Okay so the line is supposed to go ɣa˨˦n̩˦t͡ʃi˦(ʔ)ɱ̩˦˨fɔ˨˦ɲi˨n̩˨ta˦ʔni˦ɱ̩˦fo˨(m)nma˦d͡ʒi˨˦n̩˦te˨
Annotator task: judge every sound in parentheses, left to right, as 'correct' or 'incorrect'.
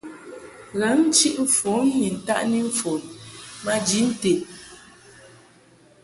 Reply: correct, incorrect: none

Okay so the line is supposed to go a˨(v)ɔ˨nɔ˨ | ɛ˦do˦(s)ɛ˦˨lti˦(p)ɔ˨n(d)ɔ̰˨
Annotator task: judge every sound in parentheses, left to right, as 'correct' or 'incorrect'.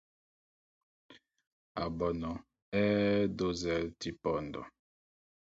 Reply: incorrect: b, incorrect: z, correct, correct

